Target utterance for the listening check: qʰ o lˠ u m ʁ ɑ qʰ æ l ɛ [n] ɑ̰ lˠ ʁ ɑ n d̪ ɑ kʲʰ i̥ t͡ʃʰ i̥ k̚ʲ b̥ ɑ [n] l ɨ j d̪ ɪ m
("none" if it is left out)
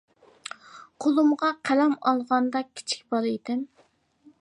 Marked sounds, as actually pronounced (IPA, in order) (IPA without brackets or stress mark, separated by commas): m, none